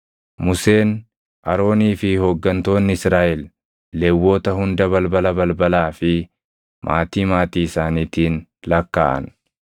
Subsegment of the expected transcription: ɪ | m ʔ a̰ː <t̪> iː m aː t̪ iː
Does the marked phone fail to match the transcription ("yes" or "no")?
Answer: no